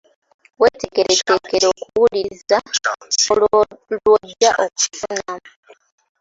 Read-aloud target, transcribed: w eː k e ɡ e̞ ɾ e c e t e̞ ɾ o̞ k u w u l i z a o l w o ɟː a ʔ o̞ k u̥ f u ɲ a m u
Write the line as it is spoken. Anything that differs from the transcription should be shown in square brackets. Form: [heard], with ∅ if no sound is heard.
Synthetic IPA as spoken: w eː [t] e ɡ e̞ ɾ e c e [k] e̞ ɾ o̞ k u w u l i z a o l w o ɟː a ʔ o̞ k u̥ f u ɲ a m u